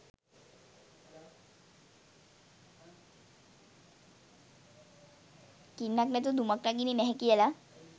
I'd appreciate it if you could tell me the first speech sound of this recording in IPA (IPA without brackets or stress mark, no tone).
k